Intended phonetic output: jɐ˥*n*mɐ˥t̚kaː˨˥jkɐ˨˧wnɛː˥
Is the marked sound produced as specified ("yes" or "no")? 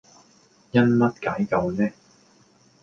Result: yes